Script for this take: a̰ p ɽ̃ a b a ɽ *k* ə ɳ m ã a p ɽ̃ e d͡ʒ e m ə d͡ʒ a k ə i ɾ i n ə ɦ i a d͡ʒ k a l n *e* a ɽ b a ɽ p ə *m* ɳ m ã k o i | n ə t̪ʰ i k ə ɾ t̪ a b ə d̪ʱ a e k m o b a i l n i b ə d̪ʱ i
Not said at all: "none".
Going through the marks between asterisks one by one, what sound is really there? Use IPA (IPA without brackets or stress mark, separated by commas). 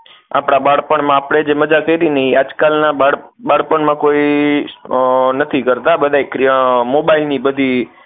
p, a, none